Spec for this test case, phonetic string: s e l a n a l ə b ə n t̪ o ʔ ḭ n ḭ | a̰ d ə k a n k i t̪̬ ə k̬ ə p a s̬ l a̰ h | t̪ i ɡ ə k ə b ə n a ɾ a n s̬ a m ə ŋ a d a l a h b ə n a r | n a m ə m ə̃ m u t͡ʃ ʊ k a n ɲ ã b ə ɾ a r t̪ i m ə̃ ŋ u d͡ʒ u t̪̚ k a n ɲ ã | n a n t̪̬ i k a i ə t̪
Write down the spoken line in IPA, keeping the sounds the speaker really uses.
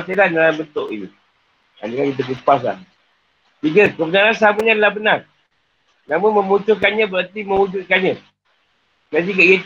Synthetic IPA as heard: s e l a n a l a b ə n t̪ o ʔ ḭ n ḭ | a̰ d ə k a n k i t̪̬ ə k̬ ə p a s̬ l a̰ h | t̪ i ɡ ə k ə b ə n a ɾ a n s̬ a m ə ɲ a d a l a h b ə n a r | n a m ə m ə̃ m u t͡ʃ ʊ k a n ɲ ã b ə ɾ a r t̪ i m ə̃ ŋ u d͡ʒ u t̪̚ k a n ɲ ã | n a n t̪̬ i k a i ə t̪